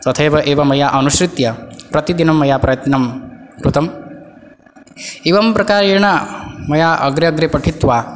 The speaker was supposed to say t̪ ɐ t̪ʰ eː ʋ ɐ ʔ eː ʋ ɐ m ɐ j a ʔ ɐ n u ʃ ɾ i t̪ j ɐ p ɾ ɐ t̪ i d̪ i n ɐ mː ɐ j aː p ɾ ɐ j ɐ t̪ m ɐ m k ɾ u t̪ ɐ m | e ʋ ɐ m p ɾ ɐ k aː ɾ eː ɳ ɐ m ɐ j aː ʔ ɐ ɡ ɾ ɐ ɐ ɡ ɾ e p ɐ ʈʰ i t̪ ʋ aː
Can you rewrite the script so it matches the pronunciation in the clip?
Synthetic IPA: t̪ ɐ t̪ʰ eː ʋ ɐ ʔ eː ʋ ɐ m ɐ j a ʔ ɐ n u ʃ ɾ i t̪ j ɐ p ɾ ɐ t̪ i d̪ i n ɐ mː ɐ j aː p ɾ ɐ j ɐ t̪ n ɐ m k ɾ u t̪ ɐ m | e ʋ ɐ m p ɾ ɐ k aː ɾ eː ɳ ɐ m ɐ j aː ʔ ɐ ɡ ɾ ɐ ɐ ɡ ɾ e p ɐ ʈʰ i t̪ ʋ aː